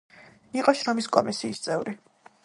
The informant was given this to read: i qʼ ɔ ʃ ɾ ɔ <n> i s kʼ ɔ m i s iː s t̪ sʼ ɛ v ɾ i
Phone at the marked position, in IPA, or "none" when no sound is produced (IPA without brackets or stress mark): m